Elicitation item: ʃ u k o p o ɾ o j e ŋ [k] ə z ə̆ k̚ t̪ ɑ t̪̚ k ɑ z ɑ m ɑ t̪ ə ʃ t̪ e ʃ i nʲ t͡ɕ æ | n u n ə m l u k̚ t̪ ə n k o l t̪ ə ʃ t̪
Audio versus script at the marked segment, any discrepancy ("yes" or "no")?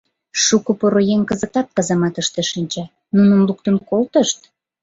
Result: no